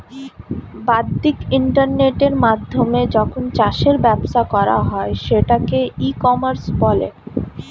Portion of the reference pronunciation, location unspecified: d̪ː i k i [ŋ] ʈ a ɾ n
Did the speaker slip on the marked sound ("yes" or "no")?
yes